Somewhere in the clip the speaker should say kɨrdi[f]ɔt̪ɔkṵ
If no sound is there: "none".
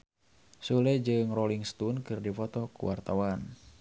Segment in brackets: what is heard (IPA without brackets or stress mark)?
f